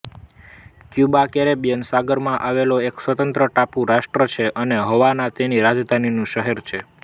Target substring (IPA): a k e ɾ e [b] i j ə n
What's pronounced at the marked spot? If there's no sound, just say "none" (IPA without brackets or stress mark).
b